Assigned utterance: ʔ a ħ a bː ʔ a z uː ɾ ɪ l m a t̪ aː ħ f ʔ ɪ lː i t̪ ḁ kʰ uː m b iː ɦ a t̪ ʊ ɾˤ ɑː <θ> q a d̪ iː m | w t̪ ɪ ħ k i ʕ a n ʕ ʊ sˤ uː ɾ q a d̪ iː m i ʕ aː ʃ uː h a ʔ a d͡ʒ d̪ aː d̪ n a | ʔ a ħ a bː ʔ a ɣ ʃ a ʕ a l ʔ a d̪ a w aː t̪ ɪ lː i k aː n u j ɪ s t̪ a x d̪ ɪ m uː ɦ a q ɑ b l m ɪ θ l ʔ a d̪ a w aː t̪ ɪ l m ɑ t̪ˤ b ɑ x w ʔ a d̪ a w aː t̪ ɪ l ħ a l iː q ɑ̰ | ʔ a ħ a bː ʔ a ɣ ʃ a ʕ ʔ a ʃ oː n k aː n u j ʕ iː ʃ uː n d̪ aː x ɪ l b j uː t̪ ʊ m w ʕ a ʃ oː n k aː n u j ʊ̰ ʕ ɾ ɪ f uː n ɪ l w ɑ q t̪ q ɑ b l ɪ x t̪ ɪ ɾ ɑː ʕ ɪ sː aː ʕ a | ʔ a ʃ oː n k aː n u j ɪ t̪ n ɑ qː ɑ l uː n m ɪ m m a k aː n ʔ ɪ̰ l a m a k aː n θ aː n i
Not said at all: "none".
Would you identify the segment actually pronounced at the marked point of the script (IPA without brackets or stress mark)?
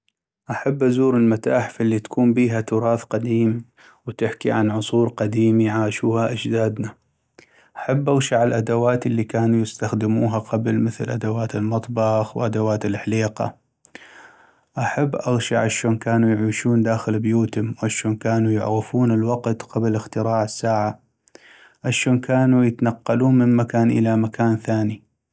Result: θ